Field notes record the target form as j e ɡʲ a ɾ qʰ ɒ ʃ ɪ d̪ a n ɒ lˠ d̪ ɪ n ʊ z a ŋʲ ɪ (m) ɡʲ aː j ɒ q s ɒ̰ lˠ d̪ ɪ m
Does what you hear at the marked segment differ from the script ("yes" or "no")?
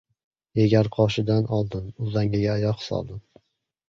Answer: yes